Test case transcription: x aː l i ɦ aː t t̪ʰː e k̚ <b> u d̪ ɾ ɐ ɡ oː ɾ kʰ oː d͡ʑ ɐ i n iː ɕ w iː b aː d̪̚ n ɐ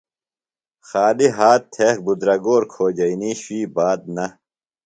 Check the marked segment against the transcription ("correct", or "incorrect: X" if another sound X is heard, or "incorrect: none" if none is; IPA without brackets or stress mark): correct